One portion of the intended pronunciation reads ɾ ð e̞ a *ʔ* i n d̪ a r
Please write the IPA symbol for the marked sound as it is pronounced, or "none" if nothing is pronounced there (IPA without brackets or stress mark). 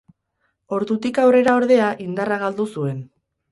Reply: ʔ